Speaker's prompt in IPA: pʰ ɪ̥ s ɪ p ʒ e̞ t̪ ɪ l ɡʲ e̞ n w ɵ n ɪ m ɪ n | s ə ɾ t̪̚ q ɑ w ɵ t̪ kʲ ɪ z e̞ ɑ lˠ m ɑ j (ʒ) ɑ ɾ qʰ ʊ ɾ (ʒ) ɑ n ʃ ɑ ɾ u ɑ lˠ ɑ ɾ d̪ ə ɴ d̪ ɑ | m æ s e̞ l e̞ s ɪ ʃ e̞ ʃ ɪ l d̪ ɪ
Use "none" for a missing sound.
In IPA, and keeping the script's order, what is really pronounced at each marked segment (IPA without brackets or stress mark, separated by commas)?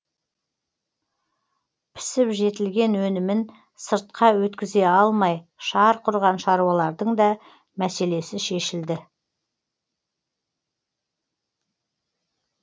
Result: ʃ, ʁ